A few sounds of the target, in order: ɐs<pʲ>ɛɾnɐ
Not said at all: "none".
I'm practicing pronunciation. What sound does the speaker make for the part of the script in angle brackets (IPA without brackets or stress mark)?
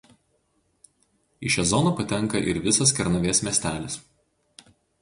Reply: kʲ